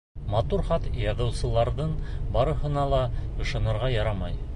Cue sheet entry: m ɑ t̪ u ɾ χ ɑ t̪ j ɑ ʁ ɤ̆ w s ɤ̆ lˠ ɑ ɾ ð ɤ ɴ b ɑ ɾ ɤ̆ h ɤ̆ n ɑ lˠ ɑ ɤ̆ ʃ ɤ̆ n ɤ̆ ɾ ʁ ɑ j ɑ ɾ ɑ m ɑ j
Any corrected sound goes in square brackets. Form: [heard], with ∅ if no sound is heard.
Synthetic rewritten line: m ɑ t̪ u ɾ χ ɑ t̪ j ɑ [ð] ɤ̆ w s ɤ̆ lˠ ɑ ɾ ð ɤ ɴ b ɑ ɾ ɤ̆ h ɤ̆ n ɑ lˠ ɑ ɤ̆ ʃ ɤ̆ n ɤ̆ ɾ ʁ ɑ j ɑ ɾ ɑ m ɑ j